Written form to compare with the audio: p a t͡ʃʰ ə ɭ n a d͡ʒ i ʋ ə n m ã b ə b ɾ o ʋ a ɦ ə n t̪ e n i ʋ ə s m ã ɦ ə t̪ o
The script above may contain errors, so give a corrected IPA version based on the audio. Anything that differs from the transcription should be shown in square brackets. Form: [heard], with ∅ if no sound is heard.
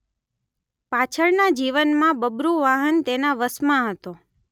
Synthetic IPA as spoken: p a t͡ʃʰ ə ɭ n a d͡ʒ i ʋ ə n m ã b ə b ɾ [u] ʋ a ɦ ə n t̪ e n [a] ʋ ə s m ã ɦ ə t̪ o